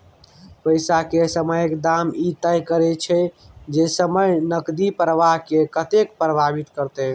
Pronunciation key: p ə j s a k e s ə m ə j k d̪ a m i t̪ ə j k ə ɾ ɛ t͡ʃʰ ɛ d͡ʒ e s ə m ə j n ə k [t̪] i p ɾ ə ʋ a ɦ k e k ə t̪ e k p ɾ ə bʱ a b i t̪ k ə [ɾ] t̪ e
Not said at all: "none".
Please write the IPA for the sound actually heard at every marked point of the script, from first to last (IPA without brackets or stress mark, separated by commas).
d̪, ɾ